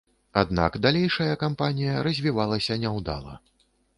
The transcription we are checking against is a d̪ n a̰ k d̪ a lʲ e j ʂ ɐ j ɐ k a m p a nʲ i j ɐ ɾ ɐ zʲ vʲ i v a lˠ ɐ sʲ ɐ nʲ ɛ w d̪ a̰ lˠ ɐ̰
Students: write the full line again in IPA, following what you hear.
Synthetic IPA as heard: a d̪ n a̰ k d̪ a lʲ e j ʂ ɐ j ɐ k a m p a nʲ i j ɐ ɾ ɐ zʲ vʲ i v a lˠ ɐ sʲ ɐ nʲ ɛ w d̪ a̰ lˠ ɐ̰